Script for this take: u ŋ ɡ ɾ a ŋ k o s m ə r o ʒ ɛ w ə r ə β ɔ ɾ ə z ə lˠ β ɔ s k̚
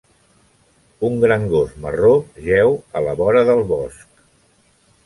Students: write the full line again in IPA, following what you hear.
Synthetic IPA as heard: u ŋ ɡ ɾ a ŋ ɡ o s m ə r o ʒ ɛ w ə l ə β ɔ ɾ ə ð ə lˠ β ɔ s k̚